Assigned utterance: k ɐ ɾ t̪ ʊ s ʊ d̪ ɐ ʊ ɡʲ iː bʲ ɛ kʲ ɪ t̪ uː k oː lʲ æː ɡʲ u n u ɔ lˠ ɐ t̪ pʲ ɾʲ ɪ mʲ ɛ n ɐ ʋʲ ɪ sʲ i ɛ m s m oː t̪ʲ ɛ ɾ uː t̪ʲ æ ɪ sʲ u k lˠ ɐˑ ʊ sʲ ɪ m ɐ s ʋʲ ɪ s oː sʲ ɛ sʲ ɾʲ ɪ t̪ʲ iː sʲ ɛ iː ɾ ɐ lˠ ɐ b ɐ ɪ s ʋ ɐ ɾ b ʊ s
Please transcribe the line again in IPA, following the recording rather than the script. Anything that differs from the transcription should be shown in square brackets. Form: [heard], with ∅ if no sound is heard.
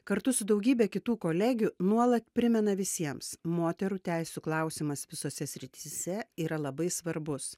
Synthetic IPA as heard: k ɐ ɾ t̪ ʊ s ʊ d̪ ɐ ʊ ɡʲ iː bʲ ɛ kʲ ɪ t̪ uː k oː lʲ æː ɡʲ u n u ɔ lˠ ɐ t̪ pʲ ɾʲ ɪ mʲ ɛ n ɐ ʋʲ ɪ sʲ i ɛ m s m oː t̪ʲ ɛ ɾ uː t̪ʲ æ ɪ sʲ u k lˠ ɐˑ ʊ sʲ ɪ m ɐ s ʋʲ ɪ s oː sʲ ɛ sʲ ɾʲ ɪ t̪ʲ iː sʲ ɛ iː ɾ ɐ lˠ ɐ b ɐ ɪ s ʋ ɐ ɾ b ʊ s